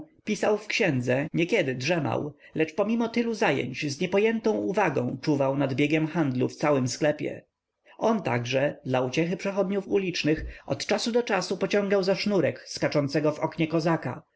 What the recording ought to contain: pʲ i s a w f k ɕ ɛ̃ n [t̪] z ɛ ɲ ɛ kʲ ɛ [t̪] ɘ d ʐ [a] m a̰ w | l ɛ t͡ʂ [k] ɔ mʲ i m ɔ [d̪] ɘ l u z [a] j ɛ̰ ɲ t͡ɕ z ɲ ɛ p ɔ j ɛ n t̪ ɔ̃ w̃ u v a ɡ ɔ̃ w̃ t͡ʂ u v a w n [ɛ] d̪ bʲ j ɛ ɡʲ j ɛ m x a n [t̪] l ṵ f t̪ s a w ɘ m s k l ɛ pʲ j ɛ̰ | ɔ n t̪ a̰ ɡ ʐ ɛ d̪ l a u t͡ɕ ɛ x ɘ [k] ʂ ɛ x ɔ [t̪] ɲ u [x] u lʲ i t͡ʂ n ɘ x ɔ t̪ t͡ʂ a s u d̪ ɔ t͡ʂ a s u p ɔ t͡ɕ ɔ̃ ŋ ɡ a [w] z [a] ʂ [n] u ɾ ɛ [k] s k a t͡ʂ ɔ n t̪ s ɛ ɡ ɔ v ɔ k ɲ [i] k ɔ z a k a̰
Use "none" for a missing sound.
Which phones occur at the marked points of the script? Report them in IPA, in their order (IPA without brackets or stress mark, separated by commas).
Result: d̪, d̪, ɛ, p, t̪, a, a, d̪, p, d̪, f, w, a, n, k, ɛ